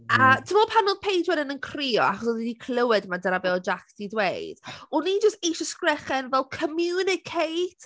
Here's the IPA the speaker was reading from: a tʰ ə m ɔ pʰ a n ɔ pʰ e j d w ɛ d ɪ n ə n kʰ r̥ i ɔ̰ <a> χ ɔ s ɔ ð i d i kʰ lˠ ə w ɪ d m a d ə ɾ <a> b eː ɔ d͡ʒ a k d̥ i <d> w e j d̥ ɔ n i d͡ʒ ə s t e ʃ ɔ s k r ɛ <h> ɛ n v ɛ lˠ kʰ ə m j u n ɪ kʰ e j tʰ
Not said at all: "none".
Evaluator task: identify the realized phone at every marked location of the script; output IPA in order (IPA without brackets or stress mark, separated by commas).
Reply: a, a, d, χ